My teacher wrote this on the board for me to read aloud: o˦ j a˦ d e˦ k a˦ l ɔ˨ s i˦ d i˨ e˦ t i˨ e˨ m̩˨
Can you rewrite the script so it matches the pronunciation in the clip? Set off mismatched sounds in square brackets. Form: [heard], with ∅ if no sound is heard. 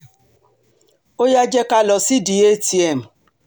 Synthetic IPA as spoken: o˦ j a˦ [d͡ʒ] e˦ k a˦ l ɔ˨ s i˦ d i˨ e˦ t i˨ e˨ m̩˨